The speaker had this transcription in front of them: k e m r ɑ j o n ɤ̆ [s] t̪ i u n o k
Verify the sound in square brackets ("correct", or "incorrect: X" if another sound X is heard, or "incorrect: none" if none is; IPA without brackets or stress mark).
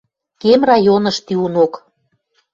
incorrect: ʃ